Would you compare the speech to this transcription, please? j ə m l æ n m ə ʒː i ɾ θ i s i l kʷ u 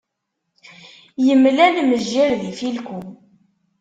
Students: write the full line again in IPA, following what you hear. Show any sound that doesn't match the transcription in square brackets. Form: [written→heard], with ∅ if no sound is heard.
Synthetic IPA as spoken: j ə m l æ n m ə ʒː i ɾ [θ→ð] i [s→f] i l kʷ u